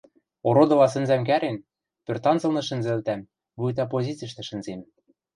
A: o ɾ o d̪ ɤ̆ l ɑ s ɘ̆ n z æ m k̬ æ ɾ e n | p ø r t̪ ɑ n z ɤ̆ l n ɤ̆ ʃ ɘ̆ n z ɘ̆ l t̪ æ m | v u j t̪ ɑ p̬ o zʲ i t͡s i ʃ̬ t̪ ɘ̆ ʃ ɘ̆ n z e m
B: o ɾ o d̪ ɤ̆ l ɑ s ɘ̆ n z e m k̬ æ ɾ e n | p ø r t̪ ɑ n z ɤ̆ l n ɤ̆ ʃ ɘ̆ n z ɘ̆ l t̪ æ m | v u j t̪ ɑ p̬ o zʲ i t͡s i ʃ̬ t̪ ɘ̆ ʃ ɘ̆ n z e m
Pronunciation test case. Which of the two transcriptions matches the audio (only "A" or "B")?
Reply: A